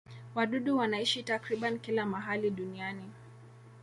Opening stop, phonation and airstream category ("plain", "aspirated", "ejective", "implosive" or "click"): implosive